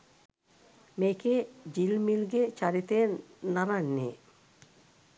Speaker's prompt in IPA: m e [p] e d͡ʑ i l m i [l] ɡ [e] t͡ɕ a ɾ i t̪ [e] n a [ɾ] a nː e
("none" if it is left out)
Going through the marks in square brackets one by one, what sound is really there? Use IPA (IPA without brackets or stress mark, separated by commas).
k, l, e, e, ɾ